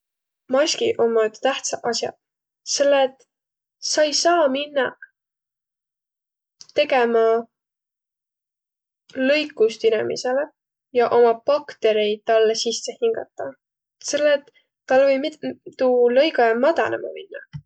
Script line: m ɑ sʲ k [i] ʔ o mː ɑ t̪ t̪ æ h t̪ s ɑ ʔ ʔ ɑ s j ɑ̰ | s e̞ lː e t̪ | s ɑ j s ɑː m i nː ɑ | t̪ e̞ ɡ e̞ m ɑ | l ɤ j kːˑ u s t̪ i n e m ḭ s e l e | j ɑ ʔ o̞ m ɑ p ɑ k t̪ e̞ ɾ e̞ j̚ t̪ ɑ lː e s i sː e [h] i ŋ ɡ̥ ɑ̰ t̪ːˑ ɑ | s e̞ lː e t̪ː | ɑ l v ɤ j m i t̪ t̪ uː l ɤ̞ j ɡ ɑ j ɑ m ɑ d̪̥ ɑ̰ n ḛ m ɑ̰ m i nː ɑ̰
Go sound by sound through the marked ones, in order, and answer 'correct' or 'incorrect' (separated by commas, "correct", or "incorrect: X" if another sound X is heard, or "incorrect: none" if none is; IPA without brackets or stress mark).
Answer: correct, correct